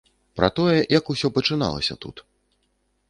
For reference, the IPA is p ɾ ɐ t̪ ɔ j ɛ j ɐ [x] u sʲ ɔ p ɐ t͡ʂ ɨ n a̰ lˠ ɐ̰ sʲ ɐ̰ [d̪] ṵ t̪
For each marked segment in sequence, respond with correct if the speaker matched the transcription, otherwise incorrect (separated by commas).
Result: incorrect, incorrect